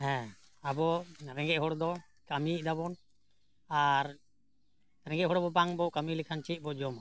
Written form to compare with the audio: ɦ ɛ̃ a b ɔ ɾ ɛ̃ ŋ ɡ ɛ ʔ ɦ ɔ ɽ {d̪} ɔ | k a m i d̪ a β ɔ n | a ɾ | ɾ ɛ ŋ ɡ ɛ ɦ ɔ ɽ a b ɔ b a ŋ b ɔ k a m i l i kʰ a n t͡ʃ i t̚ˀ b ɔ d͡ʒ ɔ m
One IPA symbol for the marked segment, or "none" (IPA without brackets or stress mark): d̪